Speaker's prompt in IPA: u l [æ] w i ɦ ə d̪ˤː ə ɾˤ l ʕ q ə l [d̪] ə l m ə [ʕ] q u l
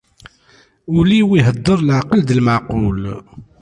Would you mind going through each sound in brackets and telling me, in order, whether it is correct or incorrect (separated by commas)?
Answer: incorrect, correct, correct